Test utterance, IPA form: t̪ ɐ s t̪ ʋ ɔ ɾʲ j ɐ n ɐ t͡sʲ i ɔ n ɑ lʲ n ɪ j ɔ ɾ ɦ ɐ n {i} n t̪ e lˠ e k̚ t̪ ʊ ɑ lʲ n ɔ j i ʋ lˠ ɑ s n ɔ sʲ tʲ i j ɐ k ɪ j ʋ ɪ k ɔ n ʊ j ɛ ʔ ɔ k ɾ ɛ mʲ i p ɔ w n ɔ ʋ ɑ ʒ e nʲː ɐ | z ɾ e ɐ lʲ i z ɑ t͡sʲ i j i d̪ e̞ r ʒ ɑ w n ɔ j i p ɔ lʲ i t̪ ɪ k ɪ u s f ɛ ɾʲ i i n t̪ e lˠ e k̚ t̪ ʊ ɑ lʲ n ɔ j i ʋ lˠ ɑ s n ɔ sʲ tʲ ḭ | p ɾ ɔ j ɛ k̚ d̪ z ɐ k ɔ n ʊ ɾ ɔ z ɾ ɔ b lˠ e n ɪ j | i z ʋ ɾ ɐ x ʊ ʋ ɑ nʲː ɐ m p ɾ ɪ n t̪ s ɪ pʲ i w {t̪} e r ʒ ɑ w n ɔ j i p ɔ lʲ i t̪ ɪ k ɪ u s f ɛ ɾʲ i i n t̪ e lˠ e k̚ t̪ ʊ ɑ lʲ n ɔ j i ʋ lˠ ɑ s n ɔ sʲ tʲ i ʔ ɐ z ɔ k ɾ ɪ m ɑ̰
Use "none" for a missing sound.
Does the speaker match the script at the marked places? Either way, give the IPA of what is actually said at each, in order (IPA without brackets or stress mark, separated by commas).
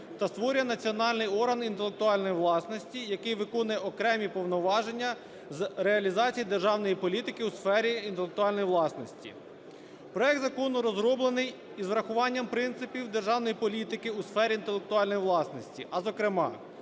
i, d̪